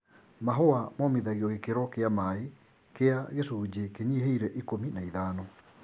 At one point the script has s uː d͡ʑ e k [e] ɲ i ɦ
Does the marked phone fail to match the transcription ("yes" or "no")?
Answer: no